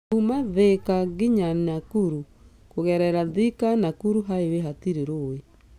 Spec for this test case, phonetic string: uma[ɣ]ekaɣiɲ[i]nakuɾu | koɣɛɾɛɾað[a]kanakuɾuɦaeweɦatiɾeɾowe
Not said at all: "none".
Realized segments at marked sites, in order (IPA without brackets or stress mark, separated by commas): ð, a, i